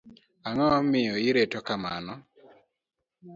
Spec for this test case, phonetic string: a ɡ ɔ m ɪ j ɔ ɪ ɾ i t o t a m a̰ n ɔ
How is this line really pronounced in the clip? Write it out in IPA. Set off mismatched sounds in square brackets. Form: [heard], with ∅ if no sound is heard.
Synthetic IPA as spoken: a [ŋ] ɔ m ɪ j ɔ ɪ ɾ [e] t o [k] a m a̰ n ɔ